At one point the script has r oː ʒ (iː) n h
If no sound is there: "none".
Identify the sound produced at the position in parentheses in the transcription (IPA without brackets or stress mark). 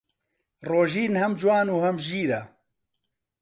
iː